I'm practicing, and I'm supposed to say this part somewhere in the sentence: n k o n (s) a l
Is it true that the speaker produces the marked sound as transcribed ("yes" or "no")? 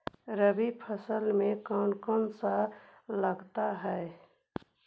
yes